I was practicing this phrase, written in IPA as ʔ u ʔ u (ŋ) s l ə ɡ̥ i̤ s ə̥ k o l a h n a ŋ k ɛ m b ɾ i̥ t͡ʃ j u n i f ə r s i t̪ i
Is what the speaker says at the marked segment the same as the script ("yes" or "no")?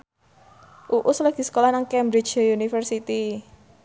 no